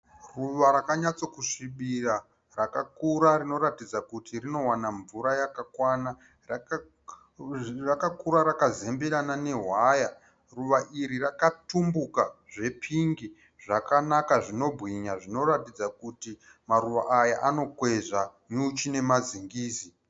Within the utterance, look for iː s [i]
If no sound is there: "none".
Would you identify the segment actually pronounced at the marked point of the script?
i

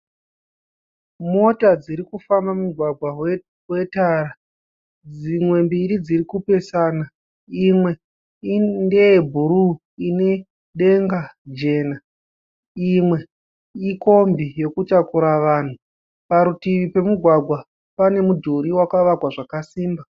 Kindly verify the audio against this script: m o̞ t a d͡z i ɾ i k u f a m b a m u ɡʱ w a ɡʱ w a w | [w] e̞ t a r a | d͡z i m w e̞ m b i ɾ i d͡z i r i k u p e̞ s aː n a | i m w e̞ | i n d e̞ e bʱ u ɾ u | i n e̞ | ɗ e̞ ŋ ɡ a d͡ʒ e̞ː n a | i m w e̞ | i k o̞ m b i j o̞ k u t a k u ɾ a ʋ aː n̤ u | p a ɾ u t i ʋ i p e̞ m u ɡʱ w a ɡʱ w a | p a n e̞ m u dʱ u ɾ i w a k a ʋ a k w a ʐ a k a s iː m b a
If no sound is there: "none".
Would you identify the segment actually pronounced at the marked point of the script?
w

